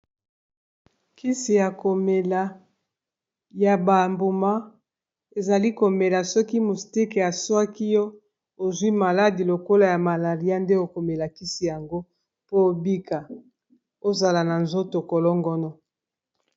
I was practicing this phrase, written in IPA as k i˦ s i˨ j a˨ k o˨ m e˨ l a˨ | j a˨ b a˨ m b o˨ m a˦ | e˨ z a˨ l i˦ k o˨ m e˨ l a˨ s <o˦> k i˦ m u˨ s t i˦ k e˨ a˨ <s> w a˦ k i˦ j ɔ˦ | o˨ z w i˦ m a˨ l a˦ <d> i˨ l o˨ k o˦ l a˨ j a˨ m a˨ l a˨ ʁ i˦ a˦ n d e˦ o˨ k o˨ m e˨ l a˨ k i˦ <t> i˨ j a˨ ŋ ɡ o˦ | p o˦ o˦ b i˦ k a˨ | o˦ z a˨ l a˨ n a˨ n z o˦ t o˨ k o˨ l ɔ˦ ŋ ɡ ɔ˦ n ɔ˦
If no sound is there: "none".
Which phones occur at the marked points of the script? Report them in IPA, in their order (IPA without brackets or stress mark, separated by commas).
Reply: ɔ˦, s, d, s